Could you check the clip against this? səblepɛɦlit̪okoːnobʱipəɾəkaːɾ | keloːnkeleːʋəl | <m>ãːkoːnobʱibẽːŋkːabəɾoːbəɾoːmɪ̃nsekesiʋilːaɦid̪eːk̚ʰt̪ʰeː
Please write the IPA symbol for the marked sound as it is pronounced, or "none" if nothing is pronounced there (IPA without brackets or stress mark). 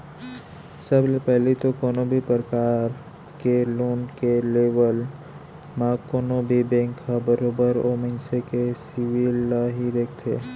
m